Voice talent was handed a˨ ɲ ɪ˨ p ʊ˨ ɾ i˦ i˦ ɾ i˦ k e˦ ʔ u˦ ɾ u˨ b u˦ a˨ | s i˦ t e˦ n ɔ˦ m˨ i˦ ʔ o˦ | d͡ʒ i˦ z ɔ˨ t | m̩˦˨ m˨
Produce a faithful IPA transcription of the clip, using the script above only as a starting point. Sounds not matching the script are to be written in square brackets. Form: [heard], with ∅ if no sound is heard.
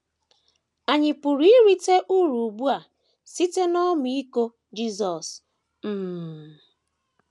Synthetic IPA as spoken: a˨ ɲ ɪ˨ p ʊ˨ ɾ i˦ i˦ ɾ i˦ [t] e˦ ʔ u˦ ɾ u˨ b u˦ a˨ | s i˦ t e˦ n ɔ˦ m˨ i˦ [k] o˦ | d͡ʒ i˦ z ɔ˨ [s] | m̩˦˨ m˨